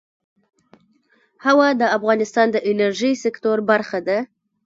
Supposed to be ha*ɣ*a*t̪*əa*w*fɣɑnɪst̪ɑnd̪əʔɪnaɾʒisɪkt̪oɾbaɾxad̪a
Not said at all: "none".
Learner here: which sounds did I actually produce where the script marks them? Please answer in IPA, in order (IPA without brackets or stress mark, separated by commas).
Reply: w, d̪, none